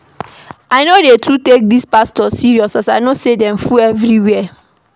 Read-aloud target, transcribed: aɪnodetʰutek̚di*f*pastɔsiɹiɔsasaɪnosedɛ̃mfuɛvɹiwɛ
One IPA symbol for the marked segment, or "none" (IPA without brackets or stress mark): s